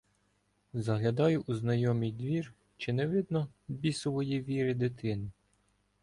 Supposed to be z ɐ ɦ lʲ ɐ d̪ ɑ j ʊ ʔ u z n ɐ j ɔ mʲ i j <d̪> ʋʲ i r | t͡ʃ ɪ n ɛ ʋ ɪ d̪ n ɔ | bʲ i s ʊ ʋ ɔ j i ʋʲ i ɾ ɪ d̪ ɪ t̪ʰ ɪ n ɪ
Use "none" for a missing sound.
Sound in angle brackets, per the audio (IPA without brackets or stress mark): d̪